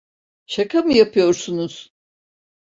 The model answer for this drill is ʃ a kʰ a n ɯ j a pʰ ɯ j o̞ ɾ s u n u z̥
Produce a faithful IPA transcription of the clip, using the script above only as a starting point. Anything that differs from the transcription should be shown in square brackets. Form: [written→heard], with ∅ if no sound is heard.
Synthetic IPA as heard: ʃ a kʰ a [n→m] ɯ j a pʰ ɯ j o̞ ɾ s u n u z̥

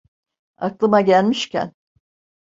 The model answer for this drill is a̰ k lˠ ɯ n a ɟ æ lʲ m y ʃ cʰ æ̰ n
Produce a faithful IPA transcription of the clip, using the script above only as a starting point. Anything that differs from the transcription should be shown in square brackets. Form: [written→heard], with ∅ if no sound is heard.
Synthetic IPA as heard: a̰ k lˠ ɯ [n→m] a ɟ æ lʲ m [y→i] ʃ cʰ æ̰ n

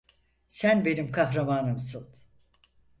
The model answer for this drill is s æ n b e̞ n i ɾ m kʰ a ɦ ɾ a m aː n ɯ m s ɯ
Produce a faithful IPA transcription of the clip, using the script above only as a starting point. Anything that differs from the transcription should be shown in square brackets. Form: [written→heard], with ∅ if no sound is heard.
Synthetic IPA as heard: s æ n b e̞ n i [ɾ→∅] m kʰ a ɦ ɾ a m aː n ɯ m s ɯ

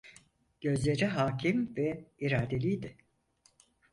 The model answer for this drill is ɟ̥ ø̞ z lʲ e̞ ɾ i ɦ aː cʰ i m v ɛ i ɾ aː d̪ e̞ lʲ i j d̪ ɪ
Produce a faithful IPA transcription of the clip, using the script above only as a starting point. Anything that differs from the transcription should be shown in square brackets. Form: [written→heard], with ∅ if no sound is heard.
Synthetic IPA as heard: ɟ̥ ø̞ z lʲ e̞ ɾ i ɦ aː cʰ i m v ɛ i ɾ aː d̪ e̞ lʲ i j d̪ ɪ

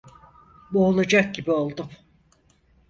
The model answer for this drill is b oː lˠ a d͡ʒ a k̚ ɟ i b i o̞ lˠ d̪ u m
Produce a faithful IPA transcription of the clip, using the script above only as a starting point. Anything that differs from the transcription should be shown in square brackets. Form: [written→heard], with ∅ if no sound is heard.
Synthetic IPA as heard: b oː lˠ a d͡ʒ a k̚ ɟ i b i o̞ lˠ d̪ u m

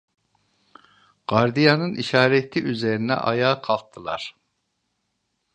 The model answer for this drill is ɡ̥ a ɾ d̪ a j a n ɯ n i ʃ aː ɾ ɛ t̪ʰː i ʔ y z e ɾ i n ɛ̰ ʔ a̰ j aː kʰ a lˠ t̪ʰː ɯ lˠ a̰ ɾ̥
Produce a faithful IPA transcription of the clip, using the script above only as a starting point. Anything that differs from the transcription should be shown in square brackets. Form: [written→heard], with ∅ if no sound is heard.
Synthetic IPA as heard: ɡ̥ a ɾ d̪ [a→i] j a n ɯ n i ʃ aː ɾ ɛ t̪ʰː i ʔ y z e ɾ i n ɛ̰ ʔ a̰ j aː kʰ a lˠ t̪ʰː ɯ lˠ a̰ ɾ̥

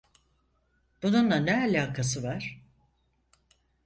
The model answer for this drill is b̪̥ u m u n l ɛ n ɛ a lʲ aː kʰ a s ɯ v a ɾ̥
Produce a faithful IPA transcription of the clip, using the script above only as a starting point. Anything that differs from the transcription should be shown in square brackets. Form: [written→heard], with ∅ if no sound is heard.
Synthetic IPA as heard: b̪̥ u [m→n] u n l [ɛ→a] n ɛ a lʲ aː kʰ a s ɯ v a ɾ̥

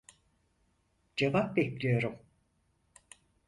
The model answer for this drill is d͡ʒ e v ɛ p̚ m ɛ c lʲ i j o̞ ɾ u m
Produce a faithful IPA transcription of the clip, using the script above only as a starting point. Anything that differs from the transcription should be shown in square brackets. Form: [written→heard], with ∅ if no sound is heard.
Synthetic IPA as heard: d͡ʒ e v [ɛ→a] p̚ [m→b] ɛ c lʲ i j o̞ ɾ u m

